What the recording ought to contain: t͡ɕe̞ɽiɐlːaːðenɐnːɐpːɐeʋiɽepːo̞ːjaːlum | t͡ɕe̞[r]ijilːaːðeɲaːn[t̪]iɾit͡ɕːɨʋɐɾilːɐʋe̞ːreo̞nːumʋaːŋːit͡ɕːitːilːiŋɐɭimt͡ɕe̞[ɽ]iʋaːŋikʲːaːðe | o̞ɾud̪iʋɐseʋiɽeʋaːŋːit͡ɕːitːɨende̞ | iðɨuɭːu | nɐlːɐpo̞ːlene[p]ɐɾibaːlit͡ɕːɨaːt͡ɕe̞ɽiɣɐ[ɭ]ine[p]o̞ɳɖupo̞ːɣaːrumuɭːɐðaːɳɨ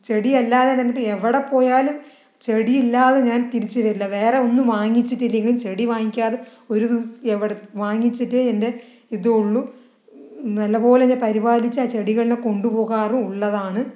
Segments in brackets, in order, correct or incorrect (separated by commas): incorrect, correct, correct, correct, correct, incorrect